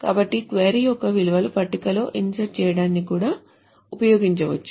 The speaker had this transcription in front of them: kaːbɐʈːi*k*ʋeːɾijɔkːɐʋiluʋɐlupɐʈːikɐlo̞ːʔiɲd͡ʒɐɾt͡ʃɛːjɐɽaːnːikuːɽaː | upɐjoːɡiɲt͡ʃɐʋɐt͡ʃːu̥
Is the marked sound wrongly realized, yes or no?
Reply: no